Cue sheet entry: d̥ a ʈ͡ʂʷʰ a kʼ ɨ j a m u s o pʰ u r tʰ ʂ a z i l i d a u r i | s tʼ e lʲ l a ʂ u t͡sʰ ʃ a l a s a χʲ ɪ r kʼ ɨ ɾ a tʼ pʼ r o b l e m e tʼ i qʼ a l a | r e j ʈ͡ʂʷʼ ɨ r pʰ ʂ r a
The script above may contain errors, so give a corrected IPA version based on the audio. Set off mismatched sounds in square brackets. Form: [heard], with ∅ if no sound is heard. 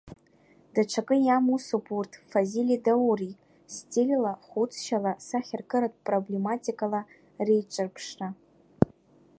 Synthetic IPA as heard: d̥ a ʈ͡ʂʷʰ a kʼ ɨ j a m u s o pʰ u r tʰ [f] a z i l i d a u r i | s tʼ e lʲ l a [χ] u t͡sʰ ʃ a l a s a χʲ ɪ r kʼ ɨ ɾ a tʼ pʼ r o b l e m [a] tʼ i [kʼ] a l a | r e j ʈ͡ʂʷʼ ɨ r pʰ ʂ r a